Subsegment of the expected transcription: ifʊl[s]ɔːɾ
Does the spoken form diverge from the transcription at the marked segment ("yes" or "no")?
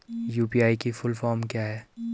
yes